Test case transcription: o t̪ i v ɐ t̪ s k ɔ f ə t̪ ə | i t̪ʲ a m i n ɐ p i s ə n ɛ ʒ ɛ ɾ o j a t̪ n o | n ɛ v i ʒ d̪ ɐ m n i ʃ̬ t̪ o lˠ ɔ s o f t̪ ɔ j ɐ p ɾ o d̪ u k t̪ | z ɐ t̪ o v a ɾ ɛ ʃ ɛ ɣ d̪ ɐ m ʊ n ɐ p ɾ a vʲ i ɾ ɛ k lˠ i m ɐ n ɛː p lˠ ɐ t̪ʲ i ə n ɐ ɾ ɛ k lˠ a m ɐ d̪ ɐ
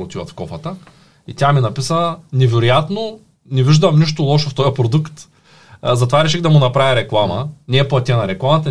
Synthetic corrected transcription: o t̪ i v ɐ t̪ f k ɔ f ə t̪ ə | i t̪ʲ a m i n ɐ p i s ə n ɛ v ɛ ɾ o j a t̪ n o | n ɛ v i ʒ d̪ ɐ m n i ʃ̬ t̪ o lˠ ɔ ʃ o f t̪ ɔ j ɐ p ɾ o d̪ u k t̪ | z ɐ t̪ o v a ɾ ɛ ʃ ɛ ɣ d̪ ɐ m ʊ n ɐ p ɾ a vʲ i ɾ ɛ k lˠ a m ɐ n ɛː p lˠ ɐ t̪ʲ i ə n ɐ ɾ ɛ k lˠ a m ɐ t̪ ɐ